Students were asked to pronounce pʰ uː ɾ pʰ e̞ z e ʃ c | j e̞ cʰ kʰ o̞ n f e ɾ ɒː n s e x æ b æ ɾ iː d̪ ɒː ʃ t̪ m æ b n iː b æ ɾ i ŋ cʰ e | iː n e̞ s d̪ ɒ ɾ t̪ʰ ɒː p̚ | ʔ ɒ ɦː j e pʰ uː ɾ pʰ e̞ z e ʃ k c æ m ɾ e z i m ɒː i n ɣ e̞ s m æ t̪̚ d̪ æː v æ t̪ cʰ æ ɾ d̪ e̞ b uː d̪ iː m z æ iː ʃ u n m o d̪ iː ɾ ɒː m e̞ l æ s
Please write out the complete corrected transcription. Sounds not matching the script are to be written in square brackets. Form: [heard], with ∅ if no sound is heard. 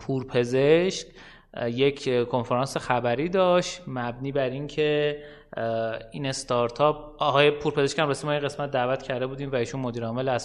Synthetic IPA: pʰ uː ɾ pʰ e̞ z e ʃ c | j e̞ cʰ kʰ o̞ n f e ɾ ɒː n s e x æ b æ ɾ iː d̪ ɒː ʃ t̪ m æ b n iː b æ ɾ i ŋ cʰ e | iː n e̞ s [t̪] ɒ ɾ t̪ʰ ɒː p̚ | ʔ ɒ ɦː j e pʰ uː ɾ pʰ e̞ z e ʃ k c æ m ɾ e [s] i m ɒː i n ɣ e̞ s m æ t̪̚ d̪ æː v æ t̪ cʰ æ ɾ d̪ e̞ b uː d̪ iː m [v] æ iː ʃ u n m o d̪ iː ɾ ɒː m e̞ l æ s